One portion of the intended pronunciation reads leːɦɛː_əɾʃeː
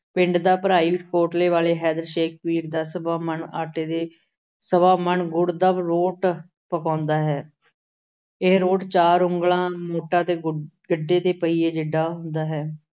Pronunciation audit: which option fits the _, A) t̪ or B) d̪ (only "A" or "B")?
B